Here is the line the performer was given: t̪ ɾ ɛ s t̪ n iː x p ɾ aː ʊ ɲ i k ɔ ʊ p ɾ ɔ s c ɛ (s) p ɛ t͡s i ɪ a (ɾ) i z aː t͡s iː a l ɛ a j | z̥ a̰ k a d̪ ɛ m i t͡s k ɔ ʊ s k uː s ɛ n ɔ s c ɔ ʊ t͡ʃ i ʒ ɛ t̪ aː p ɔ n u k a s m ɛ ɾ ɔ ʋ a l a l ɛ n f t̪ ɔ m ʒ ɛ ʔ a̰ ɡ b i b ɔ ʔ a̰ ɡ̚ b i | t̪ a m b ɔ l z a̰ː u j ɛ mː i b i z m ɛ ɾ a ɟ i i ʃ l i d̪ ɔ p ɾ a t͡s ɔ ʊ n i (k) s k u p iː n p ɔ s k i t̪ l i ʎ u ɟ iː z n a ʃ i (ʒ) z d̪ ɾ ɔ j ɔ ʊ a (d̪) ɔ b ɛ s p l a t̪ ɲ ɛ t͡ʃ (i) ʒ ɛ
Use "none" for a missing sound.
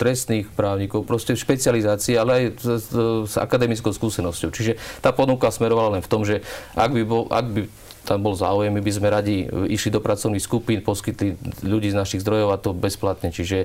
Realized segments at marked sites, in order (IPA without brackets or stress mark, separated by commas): ʃ, l, x, ɣ, t̪, i